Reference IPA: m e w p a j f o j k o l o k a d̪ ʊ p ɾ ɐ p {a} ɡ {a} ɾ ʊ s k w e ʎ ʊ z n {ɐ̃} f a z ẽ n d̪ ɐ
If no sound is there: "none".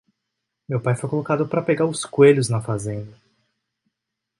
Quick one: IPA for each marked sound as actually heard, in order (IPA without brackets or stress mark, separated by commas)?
e, a, ɐ